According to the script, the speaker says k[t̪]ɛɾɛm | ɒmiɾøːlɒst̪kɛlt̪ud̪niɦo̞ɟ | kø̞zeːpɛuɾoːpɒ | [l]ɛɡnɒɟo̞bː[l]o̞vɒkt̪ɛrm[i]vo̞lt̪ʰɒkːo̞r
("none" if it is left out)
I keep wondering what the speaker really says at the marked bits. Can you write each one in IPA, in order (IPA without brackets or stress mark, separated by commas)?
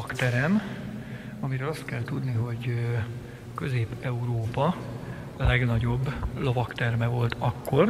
t̪, l, l, ɛ